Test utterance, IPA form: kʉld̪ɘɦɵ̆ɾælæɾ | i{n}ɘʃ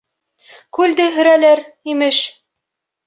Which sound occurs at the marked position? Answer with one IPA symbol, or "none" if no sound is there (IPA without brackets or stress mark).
m